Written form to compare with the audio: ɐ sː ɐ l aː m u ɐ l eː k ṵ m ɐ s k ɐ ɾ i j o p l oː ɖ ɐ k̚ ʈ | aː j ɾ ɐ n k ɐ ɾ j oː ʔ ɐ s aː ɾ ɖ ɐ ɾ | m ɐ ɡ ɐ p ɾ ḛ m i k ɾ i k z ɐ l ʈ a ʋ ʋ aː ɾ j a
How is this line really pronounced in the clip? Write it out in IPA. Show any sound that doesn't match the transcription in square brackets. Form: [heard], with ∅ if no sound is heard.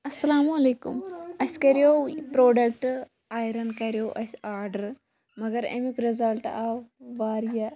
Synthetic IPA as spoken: ɐ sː ɐ l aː m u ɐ l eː k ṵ m ɐ s k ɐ ɾ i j o p [ɾ] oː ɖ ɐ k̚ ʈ | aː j ɾ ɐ n k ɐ ɾ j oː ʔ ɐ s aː ɾ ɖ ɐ ɾ | m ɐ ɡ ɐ [∅] ɾ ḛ m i k ɾ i [∅] z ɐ l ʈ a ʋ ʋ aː ɾ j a